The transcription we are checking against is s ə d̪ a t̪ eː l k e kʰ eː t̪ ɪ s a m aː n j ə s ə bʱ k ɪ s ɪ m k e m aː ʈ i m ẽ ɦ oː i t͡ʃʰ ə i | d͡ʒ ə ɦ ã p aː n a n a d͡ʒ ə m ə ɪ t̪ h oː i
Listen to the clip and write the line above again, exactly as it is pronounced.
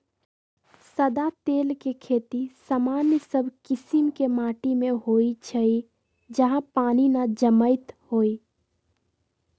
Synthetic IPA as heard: s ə d̪ a t̪ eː l k e kʰ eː t̪ i s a m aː n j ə s ə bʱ k ɪ s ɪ m k e m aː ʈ i m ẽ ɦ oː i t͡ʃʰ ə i | d͡ʒ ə ɦ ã p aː n i n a d͡ʒ ə m ə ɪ t̪ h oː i